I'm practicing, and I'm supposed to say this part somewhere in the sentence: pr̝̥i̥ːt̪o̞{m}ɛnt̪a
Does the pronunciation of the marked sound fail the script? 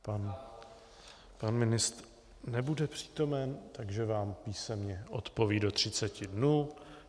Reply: no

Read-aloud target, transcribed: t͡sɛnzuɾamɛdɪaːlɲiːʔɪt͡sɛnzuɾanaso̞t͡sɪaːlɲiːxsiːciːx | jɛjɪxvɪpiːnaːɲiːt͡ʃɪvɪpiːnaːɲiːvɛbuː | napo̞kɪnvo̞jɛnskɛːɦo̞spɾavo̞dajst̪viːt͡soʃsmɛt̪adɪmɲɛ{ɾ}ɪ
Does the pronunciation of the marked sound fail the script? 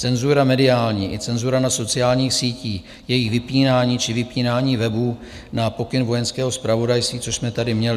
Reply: yes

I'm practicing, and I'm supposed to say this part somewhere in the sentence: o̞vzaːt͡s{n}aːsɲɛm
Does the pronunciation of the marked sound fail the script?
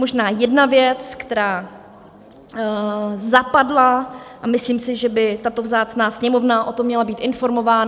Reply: no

